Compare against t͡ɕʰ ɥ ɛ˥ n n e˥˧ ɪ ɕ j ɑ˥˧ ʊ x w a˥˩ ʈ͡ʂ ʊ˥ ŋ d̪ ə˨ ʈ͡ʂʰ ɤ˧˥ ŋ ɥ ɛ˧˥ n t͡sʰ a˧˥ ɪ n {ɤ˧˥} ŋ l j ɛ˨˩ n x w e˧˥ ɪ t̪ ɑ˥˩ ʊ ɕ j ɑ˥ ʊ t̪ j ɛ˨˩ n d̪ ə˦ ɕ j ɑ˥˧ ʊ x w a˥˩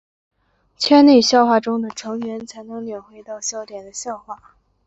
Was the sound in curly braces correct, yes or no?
yes